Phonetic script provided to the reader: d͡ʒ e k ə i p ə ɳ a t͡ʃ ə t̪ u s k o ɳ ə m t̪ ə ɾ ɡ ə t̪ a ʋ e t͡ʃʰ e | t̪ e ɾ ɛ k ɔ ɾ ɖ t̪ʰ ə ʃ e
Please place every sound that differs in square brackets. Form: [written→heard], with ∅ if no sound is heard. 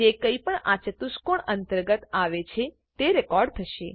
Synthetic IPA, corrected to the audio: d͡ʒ e k ə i p ə ɳ a t͡ʃ ə t̪ u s k o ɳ ə [m→n] t̪ ə ɾ ɡ ə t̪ a ʋ e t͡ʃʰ e | t̪ e ɾ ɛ k ɔ ɾ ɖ t̪ʰ ə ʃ e